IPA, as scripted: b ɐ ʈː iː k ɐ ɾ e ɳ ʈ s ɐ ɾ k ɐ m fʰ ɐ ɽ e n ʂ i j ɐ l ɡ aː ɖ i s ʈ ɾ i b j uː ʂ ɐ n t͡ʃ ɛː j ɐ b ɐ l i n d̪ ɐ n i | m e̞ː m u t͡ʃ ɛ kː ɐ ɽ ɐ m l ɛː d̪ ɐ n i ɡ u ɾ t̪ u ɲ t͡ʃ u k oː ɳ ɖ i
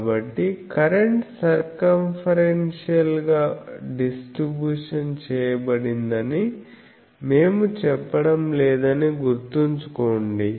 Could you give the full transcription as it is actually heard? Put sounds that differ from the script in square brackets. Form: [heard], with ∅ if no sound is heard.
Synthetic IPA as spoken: b ɐ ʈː [i] k ɐ ɾ e ɳ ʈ s ɐ ɾ k ɐ m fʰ ɐ [ɾ] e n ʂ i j ɐ l ɡ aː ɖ i s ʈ ɾ i b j uː ʂ ɐ n t͡ʃ ɛː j ɐ b ɐ [ɽ] i n d̪ ɐ n i | m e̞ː m u t͡ʃ ɛ [pː] ɐ ɽ ɐ m l ɛː d̪ ɐ n i ɡ u ɾ t̪ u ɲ t͡ʃ u k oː ɳ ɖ i